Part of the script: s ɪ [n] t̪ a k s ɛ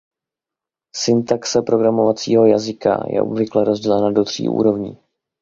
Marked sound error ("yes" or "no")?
no